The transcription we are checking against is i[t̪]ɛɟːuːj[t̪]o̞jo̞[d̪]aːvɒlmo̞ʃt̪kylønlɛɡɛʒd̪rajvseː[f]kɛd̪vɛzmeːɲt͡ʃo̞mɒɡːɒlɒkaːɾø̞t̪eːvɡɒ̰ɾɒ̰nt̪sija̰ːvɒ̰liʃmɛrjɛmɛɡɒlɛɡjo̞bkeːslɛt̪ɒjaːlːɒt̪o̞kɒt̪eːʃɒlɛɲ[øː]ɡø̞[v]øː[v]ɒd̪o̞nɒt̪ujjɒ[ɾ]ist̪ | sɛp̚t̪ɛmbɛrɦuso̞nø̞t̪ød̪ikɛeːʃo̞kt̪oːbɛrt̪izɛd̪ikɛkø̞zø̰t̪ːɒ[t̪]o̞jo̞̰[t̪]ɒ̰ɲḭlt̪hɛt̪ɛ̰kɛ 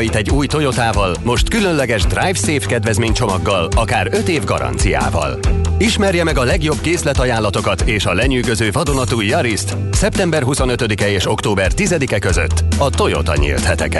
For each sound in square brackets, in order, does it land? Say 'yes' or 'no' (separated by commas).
yes, yes, no, yes, no, no, yes, yes, yes, yes